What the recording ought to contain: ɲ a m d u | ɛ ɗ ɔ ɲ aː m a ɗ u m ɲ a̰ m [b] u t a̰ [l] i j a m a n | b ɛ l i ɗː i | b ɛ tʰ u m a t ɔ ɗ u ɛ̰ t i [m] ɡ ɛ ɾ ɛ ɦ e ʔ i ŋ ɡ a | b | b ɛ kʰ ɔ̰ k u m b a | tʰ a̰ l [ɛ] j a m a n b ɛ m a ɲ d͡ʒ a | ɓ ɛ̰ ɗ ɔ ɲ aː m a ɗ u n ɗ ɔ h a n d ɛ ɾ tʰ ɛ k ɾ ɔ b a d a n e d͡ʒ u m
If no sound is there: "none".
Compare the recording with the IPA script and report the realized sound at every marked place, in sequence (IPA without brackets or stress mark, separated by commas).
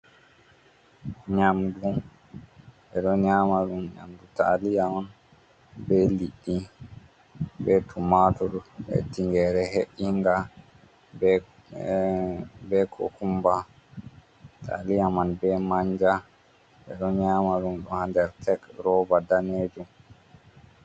d, l, ŋ, i